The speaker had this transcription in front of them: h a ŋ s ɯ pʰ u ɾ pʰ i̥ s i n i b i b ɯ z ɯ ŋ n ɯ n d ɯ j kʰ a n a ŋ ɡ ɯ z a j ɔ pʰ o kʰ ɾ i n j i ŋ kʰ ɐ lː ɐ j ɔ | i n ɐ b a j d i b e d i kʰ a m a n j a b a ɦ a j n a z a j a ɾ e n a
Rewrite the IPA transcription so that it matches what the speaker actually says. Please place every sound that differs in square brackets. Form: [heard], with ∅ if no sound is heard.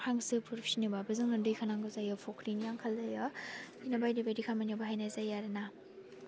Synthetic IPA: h a ŋ s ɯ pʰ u ɾ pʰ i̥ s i n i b [a] b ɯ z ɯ ŋ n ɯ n d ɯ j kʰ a n a ŋ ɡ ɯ z a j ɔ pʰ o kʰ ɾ i n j [a] ŋ kʰ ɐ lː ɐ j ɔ | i n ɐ b a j d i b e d i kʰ a m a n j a b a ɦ a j n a z a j a ɾ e n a